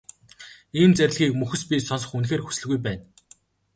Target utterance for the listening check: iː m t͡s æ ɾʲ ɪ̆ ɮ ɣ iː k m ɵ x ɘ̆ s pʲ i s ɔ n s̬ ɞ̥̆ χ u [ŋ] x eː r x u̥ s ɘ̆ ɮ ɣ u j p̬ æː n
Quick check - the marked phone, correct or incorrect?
incorrect